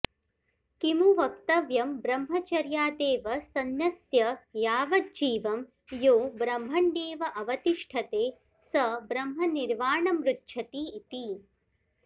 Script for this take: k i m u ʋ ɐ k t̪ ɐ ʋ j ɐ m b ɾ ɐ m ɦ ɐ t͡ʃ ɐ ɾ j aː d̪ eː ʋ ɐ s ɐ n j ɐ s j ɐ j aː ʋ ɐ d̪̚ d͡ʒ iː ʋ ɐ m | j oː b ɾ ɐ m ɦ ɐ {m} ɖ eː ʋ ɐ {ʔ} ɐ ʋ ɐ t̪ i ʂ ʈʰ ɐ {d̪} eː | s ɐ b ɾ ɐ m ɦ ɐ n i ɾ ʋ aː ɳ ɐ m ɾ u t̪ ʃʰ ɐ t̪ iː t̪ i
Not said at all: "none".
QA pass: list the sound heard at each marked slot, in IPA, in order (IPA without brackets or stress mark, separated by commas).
ɳ, ʔ, t̪